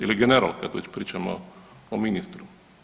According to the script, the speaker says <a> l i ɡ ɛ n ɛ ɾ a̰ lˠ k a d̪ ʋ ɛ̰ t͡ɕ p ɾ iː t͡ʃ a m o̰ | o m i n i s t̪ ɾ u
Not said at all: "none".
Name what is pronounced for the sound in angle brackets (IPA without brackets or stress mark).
i